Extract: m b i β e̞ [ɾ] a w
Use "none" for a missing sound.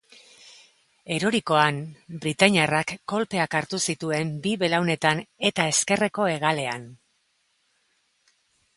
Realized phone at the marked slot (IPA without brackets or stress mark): l